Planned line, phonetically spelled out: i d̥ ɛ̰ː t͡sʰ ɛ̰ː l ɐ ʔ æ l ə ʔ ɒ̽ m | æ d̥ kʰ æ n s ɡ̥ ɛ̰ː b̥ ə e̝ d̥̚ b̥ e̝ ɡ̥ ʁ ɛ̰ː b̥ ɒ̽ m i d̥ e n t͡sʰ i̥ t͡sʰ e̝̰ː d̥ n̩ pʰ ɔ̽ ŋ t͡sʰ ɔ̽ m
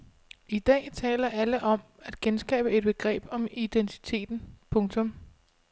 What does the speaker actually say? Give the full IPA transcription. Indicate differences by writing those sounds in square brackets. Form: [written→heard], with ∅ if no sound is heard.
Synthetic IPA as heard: i d̥ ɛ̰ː t͡sʰ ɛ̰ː l ɐ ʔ æ l ə ʔ ɒ̽ m | æ d̥ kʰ [æ→e] n s ɡ̥ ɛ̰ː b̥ ə e̝ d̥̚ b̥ e̝ ɡ̥ ʁ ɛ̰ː b̥ ɒ̽ m i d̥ e n t͡sʰ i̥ t͡sʰ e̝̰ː d̥ n̩ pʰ ɔ̽ ŋ t͡sʰ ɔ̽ m

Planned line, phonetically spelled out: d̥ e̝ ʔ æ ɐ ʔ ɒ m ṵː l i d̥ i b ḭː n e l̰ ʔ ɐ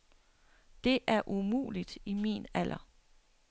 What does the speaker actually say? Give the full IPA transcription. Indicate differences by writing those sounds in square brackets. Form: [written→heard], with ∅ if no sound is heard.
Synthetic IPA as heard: d̥ e̝ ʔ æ ɐ ʔ [ɒ→u] m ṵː l i d̥ i [b→m] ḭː n [e→æ] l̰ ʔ ɐ

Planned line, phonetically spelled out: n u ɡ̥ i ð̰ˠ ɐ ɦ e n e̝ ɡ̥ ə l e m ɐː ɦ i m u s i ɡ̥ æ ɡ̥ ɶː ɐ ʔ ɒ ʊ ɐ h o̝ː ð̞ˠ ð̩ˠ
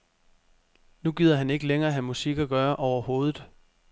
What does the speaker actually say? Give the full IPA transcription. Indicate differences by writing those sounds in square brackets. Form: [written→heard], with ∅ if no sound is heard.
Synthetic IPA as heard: n u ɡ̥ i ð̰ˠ ɐ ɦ [e→æ] n e̝ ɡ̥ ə l e [m→ŋ] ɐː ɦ [i→æ] m u s i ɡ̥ æ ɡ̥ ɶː ɐ ʔ ɒ ʊ ɐ h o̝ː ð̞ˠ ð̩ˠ

